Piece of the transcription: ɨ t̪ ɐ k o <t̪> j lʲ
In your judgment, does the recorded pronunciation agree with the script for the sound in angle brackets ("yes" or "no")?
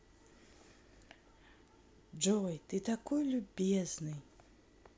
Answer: no